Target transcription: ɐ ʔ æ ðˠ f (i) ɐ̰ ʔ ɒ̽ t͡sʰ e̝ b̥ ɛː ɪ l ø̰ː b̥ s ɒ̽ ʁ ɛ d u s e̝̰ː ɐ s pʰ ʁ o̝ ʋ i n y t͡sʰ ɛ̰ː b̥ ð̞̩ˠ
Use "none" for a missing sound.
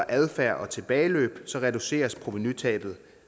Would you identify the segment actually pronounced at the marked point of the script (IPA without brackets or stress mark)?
æ